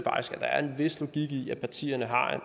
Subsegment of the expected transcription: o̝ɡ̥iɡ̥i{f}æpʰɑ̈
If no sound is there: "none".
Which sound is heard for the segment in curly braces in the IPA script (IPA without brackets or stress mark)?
none